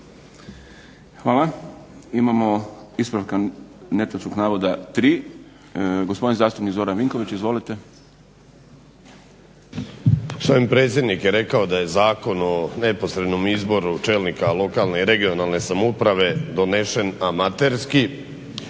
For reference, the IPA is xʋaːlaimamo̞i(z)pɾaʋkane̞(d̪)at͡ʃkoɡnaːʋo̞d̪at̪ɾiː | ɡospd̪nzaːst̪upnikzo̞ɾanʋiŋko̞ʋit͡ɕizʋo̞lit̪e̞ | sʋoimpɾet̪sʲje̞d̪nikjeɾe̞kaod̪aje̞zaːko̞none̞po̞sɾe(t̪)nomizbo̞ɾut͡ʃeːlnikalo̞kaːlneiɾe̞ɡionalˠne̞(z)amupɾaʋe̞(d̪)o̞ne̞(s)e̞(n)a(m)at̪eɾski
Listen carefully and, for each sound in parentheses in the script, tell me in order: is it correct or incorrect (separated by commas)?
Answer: incorrect, incorrect, incorrect, incorrect, correct, incorrect, correct, correct